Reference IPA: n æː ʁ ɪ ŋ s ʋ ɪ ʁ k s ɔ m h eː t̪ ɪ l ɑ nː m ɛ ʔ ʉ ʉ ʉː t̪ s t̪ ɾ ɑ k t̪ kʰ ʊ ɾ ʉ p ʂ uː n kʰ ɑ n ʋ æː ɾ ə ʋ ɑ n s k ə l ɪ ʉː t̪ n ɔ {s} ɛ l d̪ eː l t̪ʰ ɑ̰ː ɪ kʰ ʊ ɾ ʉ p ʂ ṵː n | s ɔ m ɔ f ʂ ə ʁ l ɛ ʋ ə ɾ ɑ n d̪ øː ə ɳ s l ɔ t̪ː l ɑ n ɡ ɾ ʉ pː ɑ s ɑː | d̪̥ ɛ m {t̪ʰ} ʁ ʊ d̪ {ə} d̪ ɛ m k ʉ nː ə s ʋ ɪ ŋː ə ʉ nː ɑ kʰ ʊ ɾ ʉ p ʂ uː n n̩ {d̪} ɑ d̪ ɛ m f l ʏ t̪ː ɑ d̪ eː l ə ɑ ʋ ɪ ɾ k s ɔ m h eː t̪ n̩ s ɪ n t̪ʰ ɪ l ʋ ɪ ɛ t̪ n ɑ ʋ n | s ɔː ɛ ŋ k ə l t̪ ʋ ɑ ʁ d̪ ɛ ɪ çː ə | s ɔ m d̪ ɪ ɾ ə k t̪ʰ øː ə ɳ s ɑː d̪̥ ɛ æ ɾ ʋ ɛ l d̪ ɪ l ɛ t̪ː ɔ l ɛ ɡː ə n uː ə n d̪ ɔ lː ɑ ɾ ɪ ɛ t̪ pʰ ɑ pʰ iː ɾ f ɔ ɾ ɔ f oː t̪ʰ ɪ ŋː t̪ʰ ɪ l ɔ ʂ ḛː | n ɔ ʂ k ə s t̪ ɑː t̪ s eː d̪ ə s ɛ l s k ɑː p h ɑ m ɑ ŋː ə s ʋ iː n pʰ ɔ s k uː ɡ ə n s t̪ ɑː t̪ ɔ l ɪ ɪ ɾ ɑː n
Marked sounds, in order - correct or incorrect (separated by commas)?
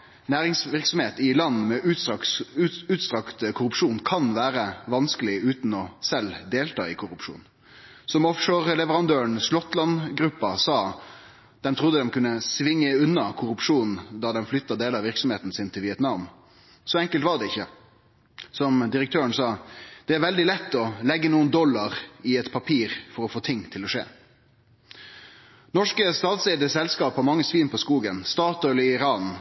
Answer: correct, correct, correct, correct